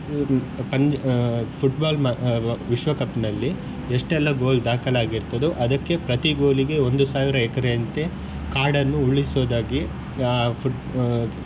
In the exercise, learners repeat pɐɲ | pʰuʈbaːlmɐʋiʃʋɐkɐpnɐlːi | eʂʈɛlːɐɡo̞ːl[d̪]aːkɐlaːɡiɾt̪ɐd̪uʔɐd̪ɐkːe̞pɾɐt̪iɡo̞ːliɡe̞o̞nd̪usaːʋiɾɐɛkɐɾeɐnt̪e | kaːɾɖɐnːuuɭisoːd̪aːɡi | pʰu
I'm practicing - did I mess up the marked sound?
no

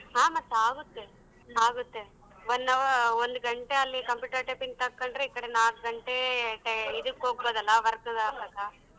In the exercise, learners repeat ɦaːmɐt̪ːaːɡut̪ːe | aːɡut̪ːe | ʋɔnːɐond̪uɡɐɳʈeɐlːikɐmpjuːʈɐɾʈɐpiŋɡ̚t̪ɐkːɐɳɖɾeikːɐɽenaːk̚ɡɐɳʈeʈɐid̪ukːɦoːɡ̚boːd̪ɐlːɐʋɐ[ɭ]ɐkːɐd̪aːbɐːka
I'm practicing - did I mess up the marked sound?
yes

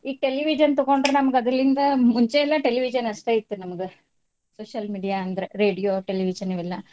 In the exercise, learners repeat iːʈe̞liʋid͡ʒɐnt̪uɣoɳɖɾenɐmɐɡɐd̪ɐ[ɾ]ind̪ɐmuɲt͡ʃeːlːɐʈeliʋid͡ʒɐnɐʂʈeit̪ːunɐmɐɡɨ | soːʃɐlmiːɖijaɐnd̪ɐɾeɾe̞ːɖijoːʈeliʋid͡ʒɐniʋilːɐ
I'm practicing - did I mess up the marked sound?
yes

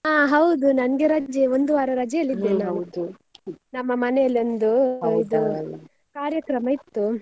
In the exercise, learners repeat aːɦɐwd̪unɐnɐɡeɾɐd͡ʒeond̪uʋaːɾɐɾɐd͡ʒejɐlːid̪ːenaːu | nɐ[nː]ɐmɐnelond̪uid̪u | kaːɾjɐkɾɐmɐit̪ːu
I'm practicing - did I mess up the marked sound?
yes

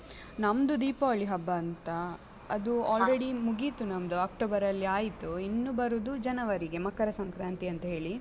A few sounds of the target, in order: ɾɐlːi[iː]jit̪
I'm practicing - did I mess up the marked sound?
yes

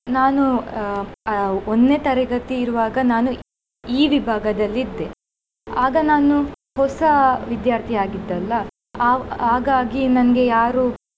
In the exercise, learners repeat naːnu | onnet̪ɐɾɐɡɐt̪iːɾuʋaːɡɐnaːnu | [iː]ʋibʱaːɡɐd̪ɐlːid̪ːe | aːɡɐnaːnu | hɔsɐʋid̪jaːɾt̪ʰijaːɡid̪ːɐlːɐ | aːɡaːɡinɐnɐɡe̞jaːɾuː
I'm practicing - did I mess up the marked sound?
no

